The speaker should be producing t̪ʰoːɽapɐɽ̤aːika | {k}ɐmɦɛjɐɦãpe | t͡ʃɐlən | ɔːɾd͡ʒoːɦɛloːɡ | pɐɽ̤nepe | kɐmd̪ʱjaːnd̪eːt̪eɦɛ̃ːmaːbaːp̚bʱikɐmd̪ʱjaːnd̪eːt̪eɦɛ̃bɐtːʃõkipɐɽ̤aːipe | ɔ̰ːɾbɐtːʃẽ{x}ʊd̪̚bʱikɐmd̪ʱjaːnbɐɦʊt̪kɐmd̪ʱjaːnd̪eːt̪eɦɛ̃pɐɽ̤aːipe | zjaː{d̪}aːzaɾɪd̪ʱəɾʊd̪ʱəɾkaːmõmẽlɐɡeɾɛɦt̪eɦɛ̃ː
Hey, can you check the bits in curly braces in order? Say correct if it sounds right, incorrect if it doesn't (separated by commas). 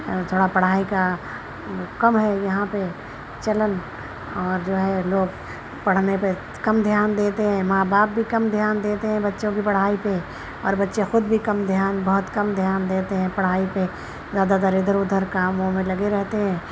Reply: correct, correct, correct